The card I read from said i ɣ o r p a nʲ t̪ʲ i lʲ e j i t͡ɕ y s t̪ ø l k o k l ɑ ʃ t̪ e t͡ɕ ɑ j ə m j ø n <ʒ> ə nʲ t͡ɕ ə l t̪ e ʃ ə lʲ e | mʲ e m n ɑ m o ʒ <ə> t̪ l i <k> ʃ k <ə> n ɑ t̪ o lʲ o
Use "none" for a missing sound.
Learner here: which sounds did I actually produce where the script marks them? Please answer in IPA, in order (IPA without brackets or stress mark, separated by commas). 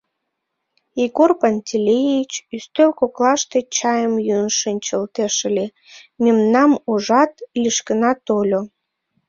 ʃ, ɑ, none, ə